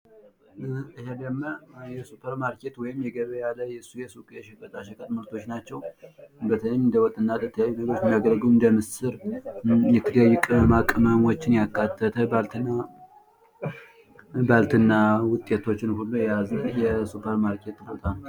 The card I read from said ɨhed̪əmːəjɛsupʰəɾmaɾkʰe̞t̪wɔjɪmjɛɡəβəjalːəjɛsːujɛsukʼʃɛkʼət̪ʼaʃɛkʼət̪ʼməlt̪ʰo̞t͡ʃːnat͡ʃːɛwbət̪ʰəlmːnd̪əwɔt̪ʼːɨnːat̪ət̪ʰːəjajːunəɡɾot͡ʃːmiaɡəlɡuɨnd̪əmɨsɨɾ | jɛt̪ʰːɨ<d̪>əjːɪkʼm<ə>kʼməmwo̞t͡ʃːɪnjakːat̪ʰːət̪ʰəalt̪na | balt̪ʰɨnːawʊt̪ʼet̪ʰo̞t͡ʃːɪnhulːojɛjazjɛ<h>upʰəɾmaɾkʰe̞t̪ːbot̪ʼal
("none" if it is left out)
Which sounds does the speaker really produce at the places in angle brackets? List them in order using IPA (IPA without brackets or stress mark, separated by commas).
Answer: d̪, a, s